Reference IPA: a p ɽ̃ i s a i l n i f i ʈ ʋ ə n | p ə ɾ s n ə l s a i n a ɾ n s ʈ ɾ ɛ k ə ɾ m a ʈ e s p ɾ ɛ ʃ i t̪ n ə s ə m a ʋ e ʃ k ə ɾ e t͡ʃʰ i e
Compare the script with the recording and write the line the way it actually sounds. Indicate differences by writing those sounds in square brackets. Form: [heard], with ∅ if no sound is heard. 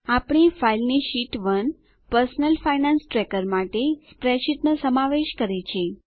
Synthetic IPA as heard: a p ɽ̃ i [f] a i l n i [ʃ] i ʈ ʋ ə n | p ə ɾ s n ə l [f] a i n a [∅] n s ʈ ɾ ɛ k ə ɾ m a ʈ e s p ɾ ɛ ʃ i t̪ n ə s ə m a ʋ e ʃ k ə ɾ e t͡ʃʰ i e